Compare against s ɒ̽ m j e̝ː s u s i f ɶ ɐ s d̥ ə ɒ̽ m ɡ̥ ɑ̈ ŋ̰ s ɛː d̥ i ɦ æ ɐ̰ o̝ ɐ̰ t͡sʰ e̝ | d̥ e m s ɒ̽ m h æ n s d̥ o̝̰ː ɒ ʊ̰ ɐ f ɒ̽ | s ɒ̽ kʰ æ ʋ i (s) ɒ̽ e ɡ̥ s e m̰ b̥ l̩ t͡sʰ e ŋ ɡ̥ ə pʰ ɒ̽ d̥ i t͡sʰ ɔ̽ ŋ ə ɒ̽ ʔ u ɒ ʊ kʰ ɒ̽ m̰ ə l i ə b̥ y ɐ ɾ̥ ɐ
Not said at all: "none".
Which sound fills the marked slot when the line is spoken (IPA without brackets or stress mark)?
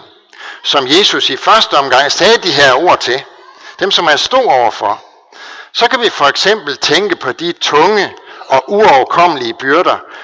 f